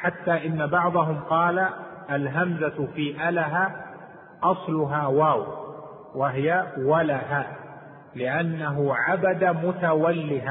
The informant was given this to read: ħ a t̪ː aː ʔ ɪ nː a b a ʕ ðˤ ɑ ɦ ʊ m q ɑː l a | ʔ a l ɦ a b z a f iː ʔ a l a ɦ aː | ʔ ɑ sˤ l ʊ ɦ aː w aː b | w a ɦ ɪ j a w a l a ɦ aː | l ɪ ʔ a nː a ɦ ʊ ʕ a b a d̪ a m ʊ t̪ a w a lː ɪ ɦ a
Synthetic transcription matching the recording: ħ a t̪ː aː ʔ ɪ nː a b ɑ ʕ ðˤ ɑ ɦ ʊ m q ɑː l a | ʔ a l ɦ a m z a f iː ʔ a l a ɦ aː | ʔ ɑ sˤ l ʊ ɦ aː w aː w | w a ɦ ɪ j a w a l a ɦ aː | l ɪ ʔ a nː a ɦ ʊ ʕ a b a d̪ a m ʊ t̪ a w a lː ɪ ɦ a